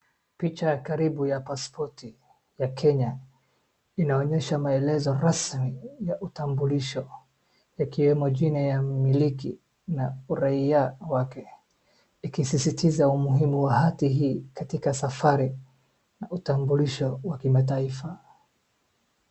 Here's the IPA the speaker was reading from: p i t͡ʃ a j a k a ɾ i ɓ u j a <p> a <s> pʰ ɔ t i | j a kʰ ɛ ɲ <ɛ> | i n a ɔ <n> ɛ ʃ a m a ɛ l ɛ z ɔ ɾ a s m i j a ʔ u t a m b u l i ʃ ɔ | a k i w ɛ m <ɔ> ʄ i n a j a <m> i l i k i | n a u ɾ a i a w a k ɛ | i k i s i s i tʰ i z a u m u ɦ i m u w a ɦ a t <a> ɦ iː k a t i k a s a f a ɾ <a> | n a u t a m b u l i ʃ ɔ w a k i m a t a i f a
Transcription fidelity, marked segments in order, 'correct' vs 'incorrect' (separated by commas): correct, correct, incorrect, incorrect, correct, correct, incorrect, incorrect